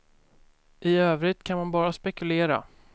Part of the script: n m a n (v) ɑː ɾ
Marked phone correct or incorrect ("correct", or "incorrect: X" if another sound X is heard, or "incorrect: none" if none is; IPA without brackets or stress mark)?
incorrect: b